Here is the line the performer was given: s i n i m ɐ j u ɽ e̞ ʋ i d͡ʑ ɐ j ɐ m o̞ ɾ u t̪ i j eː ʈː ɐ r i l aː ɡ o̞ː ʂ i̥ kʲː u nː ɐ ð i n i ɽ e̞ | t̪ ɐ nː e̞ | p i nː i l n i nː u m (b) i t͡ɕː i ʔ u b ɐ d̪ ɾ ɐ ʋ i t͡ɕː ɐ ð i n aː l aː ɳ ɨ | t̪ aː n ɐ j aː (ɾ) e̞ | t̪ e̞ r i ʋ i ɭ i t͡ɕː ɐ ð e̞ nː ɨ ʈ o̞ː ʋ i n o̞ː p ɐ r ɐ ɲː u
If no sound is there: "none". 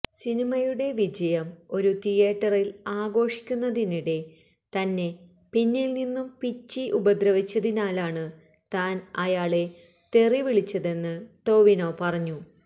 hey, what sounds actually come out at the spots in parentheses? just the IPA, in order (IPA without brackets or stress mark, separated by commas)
p, ɭ